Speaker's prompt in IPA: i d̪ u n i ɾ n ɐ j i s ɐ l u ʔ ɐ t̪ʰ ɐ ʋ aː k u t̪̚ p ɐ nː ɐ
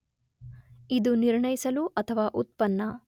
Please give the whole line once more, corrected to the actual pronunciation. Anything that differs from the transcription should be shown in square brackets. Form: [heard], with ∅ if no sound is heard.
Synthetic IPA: i d̪ u n i ɾ [ɳ] ɐ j i s ɐ l u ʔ ɐ t̪ʰ ɐ ʋ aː [ʔ] u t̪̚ p ɐ nː ɐ